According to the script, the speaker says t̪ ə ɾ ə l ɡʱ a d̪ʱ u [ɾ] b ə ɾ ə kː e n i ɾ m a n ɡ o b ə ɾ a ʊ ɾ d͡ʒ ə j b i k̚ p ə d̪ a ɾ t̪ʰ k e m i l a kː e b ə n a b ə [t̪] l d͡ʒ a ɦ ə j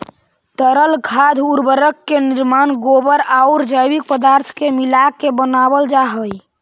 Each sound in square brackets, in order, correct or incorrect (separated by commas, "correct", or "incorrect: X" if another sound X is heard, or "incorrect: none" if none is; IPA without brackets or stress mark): correct, incorrect: none